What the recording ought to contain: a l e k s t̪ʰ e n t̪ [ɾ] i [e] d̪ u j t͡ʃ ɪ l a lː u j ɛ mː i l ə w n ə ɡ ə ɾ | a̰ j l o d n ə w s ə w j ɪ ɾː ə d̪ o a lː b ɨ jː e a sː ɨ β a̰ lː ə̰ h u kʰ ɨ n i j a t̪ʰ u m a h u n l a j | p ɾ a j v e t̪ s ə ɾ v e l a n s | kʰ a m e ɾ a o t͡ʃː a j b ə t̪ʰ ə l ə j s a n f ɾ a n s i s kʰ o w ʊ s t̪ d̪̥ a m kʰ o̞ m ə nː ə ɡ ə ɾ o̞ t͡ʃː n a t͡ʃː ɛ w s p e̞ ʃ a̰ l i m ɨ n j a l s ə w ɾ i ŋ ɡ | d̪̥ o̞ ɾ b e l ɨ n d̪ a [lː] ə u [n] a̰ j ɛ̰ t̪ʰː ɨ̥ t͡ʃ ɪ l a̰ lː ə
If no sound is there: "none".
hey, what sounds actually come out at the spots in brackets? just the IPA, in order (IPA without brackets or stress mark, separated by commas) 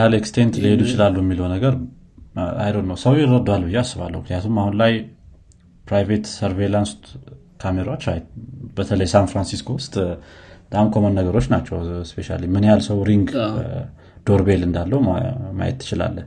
l, e, lː, m